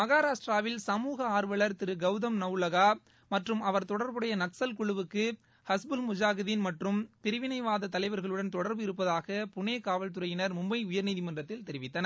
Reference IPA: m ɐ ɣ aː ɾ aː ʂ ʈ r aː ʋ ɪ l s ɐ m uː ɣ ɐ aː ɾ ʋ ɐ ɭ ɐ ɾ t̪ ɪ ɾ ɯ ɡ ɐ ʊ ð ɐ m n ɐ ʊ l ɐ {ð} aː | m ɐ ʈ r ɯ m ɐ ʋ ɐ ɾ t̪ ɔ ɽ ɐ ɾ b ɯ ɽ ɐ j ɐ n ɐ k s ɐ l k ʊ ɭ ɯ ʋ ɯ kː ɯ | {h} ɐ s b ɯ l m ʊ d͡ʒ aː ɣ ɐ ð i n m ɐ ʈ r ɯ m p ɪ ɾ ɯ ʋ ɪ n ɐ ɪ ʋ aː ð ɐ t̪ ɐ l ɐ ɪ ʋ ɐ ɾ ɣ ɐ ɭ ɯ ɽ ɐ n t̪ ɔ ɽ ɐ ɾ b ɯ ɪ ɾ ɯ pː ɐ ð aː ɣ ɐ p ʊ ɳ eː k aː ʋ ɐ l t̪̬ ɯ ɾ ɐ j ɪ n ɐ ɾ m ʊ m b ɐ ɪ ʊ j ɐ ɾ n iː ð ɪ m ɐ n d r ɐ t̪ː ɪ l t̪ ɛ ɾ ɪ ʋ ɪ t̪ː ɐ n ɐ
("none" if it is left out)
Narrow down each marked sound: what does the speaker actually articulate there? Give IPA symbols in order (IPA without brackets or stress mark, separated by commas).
ɣ, h